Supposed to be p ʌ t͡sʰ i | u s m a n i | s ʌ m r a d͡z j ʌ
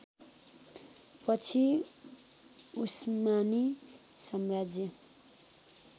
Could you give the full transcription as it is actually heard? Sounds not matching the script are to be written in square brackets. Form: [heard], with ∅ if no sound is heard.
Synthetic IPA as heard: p ʌ t͡sʰ i | u s m a n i | s ʌ m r a d͡z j ʌ

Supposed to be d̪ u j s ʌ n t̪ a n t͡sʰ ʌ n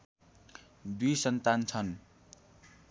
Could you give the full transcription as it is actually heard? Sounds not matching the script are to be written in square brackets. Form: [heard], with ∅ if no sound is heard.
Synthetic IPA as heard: d̪ u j s ʌ n t̪ a n t͡sʰ ʌ n

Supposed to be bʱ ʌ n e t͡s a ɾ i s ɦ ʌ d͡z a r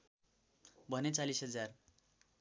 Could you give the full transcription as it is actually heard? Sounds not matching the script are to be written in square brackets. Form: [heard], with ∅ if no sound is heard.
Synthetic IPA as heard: bʱ ʌ n e t͡s a [l] i s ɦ ʌ d͡z a r

